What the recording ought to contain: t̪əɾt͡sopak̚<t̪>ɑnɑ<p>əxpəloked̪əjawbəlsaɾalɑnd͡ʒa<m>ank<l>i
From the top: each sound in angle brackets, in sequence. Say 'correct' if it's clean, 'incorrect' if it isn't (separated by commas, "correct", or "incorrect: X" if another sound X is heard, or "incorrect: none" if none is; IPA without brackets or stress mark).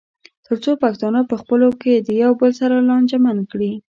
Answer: correct, correct, correct, incorrect: ɽ